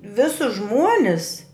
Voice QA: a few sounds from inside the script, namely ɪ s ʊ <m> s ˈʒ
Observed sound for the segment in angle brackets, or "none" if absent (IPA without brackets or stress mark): none